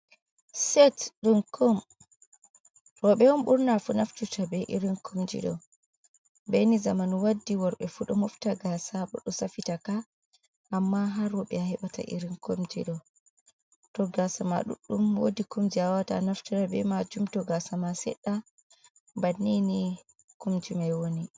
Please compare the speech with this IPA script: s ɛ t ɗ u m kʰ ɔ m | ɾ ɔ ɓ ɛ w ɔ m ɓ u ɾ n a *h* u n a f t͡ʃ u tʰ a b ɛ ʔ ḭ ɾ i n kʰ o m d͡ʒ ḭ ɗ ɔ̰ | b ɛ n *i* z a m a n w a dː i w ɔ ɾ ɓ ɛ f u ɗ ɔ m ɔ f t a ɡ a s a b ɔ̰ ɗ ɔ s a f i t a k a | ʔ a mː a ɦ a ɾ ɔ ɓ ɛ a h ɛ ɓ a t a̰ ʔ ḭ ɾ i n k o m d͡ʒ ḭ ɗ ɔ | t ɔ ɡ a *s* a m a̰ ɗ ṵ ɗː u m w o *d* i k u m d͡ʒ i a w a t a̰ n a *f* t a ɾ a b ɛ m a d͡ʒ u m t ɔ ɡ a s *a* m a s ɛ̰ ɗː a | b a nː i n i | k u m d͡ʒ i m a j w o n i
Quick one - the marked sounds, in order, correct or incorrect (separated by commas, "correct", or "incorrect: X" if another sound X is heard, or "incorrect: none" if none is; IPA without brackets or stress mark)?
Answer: incorrect: f, correct, correct, correct, correct, correct